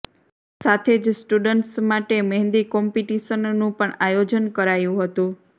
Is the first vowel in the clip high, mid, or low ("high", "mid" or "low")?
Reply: low